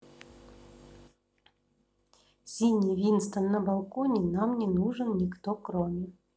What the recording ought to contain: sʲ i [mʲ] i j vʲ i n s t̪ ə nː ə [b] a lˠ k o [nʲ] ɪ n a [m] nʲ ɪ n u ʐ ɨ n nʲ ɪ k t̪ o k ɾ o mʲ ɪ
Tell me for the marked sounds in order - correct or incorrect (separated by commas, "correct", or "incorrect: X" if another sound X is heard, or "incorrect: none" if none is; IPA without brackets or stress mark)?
incorrect: nʲ, correct, correct, correct